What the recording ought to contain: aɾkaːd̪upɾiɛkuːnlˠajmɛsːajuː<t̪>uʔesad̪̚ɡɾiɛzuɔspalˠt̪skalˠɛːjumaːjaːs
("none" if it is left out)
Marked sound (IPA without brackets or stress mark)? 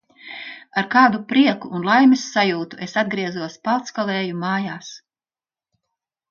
t̪